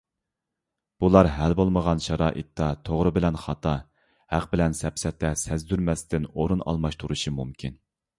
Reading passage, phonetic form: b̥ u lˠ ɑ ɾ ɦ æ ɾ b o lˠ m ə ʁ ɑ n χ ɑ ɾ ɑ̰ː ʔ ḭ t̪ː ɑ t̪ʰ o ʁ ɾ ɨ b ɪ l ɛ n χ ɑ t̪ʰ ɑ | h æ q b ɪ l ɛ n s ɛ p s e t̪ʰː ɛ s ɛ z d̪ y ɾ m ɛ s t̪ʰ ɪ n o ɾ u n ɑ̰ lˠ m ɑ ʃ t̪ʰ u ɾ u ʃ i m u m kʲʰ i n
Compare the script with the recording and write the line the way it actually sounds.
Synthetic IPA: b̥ u lˠ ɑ ɾ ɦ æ l b o lˠ m ə ʁ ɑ n ʃ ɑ ɾ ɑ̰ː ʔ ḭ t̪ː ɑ t̪ʰ o ʁ ɾ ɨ b ɪ l ɛ n χ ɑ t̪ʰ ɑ | h æ q b ɪ l ɛ n s ɛ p s ɛ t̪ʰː ɛ s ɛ z d̪ y ɾ m ɛ s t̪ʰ ɪ n o ɾ u n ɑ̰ lˠ m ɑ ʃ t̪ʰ u ɾ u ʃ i m u m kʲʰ i n